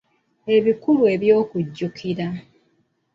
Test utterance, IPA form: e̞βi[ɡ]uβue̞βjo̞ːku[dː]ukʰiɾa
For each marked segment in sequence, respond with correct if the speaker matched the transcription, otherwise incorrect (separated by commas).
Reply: incorrect, incorrect